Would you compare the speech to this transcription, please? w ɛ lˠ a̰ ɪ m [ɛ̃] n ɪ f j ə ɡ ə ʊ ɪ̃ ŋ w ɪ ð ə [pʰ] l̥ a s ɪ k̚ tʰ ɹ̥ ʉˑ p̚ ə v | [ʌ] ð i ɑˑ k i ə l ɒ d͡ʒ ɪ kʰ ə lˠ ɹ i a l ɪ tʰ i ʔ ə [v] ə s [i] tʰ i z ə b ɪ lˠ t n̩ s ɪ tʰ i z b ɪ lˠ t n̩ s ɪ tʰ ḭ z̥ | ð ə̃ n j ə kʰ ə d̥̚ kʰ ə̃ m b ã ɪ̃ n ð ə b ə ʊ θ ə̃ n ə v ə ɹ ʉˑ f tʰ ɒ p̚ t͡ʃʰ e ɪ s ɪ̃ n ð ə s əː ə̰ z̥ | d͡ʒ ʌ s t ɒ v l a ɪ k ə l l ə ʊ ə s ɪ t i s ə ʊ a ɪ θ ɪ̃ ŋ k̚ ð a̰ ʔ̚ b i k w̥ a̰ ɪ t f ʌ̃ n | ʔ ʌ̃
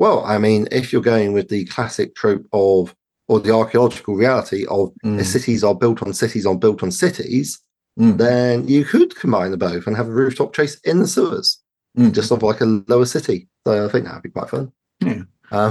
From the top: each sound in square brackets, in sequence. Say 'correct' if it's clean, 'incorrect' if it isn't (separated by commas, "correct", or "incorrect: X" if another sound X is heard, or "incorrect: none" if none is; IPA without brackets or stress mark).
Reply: incorrect: ĩ, incorrect: kʰ, incorrect: ə, correct, incorrect: ɪ